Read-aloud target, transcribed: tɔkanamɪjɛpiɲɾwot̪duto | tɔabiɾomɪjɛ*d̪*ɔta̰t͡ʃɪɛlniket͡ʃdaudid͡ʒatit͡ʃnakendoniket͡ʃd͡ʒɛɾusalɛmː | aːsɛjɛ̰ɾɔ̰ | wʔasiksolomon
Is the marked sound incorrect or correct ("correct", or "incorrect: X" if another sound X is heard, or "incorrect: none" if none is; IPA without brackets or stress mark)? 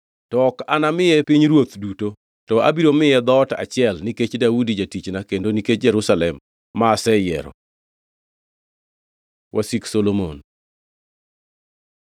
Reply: correct